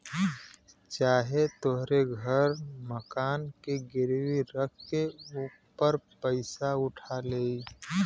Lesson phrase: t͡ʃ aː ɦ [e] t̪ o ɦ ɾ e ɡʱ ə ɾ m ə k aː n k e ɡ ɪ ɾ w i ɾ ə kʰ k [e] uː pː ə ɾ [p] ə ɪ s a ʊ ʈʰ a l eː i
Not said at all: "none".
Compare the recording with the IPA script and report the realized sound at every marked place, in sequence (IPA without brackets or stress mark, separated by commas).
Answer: e, e, p